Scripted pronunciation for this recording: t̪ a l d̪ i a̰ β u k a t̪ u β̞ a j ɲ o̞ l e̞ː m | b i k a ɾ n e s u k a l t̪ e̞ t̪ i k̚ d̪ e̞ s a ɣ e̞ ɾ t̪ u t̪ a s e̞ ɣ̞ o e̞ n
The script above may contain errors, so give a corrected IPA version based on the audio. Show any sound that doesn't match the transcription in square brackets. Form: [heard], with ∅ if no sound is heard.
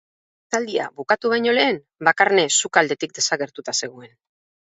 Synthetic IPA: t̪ a l d̪ i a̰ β u k a t̪ u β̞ a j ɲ o̞ l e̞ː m | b [a] k a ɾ n e s u k a l [d̪] e̞ t̪ i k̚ d̪ e̞ s a ɣ e̞ ɾ t̪ u t̪ a s e̞ ɣ̞ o e̞ n